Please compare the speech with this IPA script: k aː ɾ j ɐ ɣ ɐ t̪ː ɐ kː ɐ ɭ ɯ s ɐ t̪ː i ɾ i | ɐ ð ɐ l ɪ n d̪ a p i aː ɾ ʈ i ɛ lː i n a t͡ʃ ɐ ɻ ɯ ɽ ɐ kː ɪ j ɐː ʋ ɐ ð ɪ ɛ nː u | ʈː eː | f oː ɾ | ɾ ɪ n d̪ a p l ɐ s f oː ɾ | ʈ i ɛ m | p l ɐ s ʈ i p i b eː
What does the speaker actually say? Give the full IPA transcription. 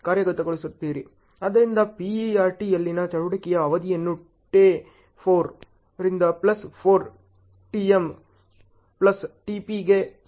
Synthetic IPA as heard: k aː ɾ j ɐ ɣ ɐ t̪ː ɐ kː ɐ ɭ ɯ s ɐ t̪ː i ɾ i | ɐ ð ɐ ɾ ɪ n d̪ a p i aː ɾ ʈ i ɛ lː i n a t͡ʃ ɐ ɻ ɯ ɽ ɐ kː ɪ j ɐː ʋ ɐ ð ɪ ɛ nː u | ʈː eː | f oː ɾ | ɾ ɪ n d̪ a p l ɐ s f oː ɾ | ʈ i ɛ m | p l ɐ s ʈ i p i ɡ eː